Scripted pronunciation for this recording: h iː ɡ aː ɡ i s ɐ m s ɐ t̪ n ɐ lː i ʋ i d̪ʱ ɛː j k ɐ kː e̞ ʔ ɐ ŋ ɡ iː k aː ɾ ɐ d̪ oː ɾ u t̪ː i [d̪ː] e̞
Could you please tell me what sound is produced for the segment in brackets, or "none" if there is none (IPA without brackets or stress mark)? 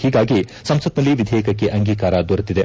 d̪